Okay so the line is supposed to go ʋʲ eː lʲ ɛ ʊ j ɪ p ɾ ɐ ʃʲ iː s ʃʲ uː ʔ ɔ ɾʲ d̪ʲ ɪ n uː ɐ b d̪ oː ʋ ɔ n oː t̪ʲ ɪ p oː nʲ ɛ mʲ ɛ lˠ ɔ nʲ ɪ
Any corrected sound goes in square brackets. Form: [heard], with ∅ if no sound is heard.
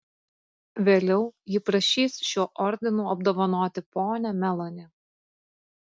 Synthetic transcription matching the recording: ʋʲ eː lʲ ɛ ʊ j ɪ p ɾ ɐ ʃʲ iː s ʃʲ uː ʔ ɔ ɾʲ d̪ʲ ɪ n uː ɐ b d̪ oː ʋ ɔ n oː t̪ʲ ɪ p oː nʲ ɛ mʲ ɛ lˠ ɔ nʲ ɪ